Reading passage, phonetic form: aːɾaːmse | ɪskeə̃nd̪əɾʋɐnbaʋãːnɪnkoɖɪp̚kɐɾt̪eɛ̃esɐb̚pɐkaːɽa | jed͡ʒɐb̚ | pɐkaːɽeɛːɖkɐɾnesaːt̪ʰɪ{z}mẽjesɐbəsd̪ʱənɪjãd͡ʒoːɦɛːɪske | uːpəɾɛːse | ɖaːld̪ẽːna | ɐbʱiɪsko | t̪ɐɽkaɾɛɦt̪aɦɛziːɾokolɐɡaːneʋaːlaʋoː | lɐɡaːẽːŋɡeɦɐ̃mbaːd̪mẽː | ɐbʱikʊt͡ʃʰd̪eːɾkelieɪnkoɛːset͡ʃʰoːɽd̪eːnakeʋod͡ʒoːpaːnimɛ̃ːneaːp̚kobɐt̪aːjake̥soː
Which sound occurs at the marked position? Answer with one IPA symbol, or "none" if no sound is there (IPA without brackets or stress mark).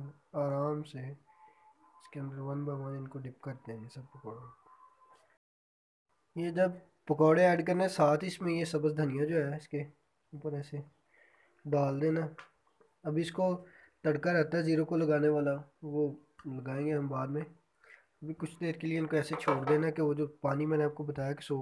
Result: s